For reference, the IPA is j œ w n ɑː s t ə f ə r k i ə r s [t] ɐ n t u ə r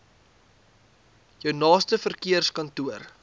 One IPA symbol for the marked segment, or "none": k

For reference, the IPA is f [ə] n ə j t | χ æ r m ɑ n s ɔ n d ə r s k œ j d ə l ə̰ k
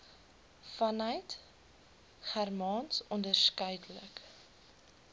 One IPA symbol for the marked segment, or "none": ɐ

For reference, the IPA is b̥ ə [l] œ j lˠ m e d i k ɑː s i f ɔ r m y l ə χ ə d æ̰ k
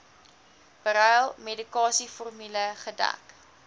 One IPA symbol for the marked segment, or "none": ɾ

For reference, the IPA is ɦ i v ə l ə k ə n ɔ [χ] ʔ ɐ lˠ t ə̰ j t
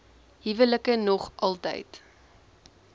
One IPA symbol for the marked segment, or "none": χ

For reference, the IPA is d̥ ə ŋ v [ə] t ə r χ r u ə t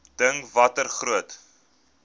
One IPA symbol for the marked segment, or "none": ɐ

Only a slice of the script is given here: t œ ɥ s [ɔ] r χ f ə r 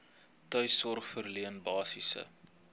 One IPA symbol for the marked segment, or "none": ɔ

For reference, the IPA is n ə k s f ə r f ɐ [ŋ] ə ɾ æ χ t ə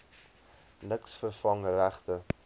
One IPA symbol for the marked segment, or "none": ŋ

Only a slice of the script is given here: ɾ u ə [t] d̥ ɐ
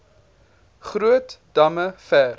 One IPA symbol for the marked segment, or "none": t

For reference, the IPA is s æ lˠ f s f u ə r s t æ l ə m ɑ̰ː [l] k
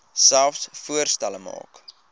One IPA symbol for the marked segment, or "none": none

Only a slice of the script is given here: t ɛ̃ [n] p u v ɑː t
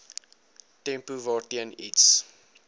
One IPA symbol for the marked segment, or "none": m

